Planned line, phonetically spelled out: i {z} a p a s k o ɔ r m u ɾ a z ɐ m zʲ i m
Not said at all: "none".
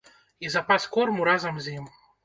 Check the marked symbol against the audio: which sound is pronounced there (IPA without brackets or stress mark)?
z